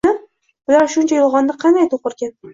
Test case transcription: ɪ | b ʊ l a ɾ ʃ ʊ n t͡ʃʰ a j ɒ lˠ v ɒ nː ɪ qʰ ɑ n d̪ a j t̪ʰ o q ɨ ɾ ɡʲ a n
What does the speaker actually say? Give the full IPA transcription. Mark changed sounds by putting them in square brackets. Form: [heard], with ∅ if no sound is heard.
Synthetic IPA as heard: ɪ | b ʊ l a ɾ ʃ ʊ n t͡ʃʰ a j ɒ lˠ [ʁ] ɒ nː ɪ qʰ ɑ n d̪ a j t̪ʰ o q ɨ ɾ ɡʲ a n